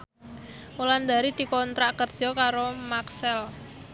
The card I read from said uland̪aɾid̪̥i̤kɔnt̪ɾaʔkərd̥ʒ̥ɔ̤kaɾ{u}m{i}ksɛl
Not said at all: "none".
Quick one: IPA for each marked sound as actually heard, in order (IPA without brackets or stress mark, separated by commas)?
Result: o, a